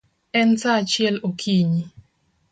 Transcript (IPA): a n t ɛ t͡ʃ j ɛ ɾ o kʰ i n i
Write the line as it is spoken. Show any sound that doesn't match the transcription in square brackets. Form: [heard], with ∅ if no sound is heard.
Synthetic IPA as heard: [ɛ] n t [a] t͡ʃ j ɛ [l] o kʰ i [ɲ] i